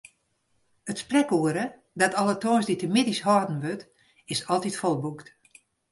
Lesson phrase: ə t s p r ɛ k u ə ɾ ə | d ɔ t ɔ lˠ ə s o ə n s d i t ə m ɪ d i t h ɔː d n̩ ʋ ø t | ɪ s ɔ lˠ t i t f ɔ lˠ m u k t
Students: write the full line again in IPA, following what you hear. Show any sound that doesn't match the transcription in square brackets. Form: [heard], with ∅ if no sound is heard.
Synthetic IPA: ə t s p r ɛ k u ə ɾ ə | d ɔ t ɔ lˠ ə [t] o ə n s d i t ə m ɪ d i [s] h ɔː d n̩ ʋ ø t | ɪ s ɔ lˠ t i t f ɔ lˠ [b] u k t